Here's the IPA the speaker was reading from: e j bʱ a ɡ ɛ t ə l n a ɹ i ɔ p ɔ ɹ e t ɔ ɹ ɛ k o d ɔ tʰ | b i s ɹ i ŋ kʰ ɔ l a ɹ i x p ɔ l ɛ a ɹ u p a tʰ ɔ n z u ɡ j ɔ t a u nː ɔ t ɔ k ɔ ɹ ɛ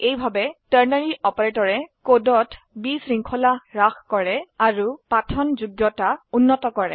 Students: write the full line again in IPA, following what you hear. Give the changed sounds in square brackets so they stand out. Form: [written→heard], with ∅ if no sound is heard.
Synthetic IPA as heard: e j bʱ a [ɡ→b] ɛ t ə [l→ɹ] n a ɹ i ɔ p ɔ ɹ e t ɔ ɹ ɛ k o d ɔ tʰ | b i s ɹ i ŋ kʰ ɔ l a ɹ [i→a] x [p→k] ɔ [l→ɹ] ɛ a ɹ u p a tʰ ɔ n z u ɡ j ɔ t a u nː ɔ t ɔ k ɔ ɹ ɛ

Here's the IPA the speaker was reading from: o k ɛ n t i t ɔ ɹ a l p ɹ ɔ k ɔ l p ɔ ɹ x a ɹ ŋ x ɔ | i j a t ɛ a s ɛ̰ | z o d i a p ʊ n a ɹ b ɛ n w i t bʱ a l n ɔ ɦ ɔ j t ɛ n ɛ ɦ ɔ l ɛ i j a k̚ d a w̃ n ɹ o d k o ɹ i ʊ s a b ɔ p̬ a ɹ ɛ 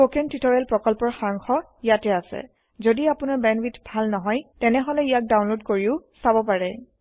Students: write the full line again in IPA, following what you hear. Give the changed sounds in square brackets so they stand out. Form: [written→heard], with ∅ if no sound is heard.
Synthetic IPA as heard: o k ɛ n t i t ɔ ɹ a l p ɹ ɔ k ɔ l p ɔ ɹ x a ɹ ŋ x ɔ | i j a t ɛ a s ɛ̰ | z o d i a p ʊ n a ɹ b ɛ n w i t bʱ a l n ɔ ɦ ɔ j t ɛ n ɛ ɦ ɔ l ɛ i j a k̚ d a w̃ n [ɹ→l] o d k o ɹ i ʊ s a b ɔ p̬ a ɹ ɛ

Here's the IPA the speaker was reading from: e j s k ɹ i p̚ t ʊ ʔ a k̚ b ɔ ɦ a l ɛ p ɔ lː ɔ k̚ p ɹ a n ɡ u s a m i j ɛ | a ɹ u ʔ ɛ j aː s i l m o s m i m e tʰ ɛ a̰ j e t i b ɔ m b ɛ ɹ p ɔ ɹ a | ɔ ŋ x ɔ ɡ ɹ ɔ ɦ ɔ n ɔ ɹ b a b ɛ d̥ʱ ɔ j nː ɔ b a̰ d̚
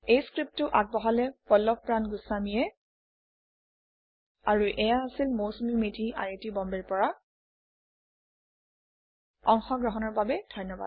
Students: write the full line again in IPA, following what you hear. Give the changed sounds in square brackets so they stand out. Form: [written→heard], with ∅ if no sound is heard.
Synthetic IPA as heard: e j s k ɹ i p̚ t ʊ ʔ a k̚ b ɔ ɦ a l ɛ p ɔ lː ɔ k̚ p ɹ a n ɡ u s a m i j ɛ | a ɹ u ʔ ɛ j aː s i l m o s m i m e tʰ [ɛ→i] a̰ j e t i b ɔ m b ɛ ɹ p ɔ ɹ a | ɔ ŋ x ɔ ɡ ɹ ɔ ɦ ɔ n ɔ ɹ b a b ɛ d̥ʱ ɔ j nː ɔ b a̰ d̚

